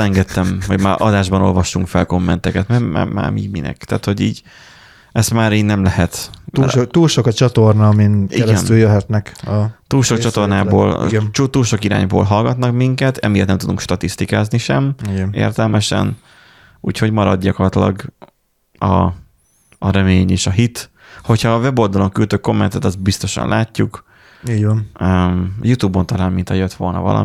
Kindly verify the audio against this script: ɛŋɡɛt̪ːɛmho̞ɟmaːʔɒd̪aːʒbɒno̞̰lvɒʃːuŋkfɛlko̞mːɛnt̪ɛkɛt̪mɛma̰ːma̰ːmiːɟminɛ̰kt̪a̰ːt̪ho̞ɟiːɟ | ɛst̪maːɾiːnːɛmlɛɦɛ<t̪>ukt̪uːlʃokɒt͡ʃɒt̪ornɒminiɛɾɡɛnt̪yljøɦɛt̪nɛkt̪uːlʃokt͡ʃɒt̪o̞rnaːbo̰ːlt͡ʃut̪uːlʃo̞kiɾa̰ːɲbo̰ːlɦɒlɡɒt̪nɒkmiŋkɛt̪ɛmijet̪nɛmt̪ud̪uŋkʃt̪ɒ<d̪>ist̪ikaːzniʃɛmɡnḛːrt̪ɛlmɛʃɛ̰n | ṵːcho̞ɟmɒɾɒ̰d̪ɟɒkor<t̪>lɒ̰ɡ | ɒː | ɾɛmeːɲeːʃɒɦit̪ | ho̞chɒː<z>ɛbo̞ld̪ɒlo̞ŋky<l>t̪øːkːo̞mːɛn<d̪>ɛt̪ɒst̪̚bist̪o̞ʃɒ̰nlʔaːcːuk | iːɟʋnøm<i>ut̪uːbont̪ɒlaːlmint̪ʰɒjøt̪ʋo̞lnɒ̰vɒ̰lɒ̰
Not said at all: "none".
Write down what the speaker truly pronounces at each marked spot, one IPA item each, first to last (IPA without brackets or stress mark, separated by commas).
t̪, t̪, t̪, v, l, t̪, j